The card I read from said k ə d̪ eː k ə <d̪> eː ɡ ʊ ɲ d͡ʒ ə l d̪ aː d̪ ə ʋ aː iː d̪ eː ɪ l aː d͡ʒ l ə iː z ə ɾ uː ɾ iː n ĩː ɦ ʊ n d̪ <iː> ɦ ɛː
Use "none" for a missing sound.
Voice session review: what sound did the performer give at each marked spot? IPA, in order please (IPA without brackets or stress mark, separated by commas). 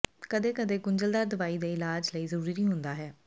d̪, aː